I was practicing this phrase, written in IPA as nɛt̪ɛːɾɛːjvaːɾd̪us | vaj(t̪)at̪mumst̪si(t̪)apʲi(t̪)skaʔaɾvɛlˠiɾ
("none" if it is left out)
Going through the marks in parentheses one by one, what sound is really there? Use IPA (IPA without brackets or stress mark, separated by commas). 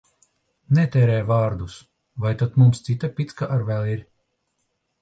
t̪, t̪, t̪